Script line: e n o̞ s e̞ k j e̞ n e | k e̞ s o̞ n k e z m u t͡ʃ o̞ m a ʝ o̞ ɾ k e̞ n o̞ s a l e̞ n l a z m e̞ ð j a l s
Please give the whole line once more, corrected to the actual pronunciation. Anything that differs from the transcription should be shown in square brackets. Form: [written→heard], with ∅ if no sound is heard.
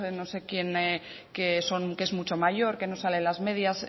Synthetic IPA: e n o̞ s e̞ k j e̞ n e | k e̞ s o̞ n k e z m u t͡ʃ o̞ m a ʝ o̞ ɾ k e̞ n o̞ s a l e̞ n l a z m e̞ ð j a [l→∅] s